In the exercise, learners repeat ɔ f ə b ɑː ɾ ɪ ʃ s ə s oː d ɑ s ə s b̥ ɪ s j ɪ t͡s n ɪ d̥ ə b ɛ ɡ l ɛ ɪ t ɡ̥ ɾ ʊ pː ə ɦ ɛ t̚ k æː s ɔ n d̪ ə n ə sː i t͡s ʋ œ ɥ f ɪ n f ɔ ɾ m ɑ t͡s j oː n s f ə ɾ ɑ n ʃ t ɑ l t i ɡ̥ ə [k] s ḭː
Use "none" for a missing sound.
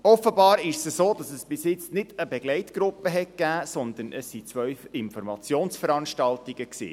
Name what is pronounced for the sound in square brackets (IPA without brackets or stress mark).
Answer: k